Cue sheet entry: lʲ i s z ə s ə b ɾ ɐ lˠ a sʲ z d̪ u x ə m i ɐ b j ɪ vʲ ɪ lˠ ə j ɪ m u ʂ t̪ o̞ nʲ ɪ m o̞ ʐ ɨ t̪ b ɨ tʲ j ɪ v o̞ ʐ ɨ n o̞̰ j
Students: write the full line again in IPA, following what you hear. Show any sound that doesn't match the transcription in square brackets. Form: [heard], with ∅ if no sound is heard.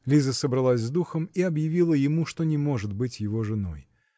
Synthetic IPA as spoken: lʲ i [∅] z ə s ə b ɾ ɐ lˠ a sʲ z d̪ u x ə m i ɐ b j ɪ vʲ [i] lˠ ə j ɪ m u ʂ t̪ o̞ nʲ ɪ m o̞ ʐ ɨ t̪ b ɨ tʲ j ɪ v o̞ ʐ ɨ n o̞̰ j